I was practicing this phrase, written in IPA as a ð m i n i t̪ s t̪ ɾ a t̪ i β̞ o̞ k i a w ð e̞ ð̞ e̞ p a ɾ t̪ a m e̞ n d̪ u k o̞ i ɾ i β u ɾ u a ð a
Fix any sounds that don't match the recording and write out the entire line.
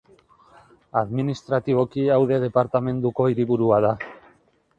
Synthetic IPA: a ð m i n i s t̪ ɾ a t̪ i β̞ o̞ k i a w ð e̞ ð̞ e̞ p a ɾ t̪ a m e̞ n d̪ u k o̞ i ɾ i β u ɾ u a ð a